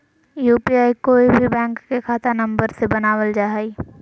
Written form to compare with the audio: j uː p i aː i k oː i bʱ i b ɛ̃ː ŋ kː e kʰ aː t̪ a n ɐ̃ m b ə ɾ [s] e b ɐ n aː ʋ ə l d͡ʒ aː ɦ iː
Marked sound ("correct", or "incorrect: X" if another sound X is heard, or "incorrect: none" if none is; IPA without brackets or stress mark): correct